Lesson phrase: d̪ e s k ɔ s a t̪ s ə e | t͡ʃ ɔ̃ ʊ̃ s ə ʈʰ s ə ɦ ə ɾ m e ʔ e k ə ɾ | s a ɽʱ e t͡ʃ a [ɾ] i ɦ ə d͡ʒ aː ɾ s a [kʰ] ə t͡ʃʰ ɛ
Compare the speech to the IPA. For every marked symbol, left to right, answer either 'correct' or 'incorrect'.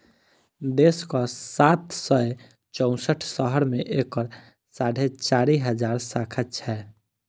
correct, correct

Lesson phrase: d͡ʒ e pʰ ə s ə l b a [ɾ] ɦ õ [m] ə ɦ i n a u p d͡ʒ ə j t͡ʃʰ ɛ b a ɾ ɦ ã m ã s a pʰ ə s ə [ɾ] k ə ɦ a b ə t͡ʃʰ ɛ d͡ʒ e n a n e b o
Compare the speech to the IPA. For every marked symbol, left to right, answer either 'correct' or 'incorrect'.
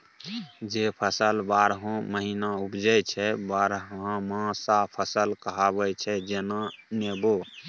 correct, correct, incorrect: l

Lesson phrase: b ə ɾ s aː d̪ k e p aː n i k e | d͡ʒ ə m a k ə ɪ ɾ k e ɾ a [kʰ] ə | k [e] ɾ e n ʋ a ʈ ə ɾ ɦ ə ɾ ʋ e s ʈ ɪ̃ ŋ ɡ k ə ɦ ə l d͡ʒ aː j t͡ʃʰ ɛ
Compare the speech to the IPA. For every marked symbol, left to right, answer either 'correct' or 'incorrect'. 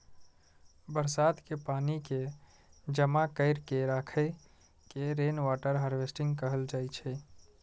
correct, correct

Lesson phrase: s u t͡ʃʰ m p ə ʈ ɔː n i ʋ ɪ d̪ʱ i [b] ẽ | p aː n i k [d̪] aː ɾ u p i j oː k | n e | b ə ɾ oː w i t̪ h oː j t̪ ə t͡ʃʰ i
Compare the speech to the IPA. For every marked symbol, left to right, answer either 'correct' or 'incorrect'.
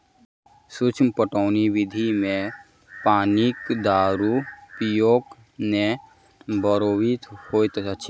incorrect: m, correct

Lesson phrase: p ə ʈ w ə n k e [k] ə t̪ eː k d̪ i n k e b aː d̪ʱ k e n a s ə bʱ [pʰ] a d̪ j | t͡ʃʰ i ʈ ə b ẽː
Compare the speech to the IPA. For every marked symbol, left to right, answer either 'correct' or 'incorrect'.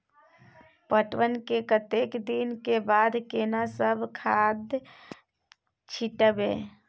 correct, incorrect: kʰ

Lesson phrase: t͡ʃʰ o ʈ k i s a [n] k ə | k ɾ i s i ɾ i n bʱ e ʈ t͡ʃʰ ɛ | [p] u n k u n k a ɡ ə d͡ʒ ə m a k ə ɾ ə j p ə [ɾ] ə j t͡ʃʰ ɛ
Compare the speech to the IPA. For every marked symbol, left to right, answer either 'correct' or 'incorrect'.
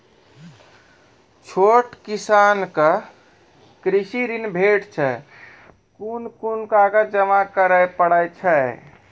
correct, incorrect: k, incorrect: ɽ

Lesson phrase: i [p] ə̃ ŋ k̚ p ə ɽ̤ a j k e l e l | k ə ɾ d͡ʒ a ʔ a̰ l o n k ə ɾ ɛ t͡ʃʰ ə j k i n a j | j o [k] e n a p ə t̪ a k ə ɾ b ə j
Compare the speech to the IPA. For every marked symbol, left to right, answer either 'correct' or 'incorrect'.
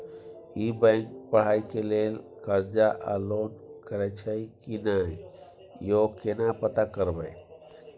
incorrect: b, correct

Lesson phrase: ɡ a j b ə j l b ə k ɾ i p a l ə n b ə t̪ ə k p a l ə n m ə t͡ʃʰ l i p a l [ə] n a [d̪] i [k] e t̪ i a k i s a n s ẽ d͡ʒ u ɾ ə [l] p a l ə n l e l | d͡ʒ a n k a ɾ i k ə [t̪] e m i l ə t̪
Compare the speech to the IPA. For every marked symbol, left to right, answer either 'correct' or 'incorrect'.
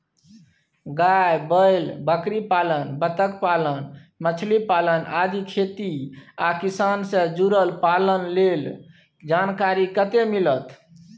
correct, correct, incorrect: kʰ, correct, correct

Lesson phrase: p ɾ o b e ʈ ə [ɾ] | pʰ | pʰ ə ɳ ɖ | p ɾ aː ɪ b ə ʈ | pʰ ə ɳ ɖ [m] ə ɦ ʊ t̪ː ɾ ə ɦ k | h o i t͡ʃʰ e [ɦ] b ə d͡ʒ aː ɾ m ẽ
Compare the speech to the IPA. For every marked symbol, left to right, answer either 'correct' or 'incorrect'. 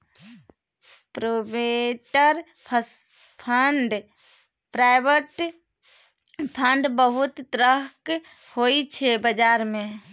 correct, incorrect: b, incorrect: none

